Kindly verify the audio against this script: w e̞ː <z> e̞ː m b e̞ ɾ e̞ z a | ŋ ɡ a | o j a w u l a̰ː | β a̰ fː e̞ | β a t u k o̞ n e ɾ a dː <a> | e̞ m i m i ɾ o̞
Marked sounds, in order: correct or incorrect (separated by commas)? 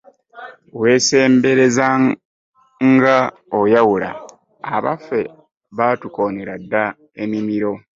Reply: incorrect, correct